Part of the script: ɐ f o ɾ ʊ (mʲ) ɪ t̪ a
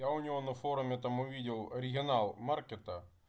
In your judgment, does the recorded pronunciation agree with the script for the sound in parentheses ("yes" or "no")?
yes